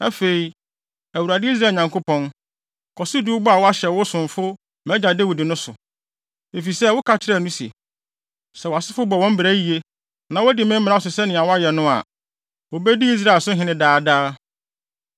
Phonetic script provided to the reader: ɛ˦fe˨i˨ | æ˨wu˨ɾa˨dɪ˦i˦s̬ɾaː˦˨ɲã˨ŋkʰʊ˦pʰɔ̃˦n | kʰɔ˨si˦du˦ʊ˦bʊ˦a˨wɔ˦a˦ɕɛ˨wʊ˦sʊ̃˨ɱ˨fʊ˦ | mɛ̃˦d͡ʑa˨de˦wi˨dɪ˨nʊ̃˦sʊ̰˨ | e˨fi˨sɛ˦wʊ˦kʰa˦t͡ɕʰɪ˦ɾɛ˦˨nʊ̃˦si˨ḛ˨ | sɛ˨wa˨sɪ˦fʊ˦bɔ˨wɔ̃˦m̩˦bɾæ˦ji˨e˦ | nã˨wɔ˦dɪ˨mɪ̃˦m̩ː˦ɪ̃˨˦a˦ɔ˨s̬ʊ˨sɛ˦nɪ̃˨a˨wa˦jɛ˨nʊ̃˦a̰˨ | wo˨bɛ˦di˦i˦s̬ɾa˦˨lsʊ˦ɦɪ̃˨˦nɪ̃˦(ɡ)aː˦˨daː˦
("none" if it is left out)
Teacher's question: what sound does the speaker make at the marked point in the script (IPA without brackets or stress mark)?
d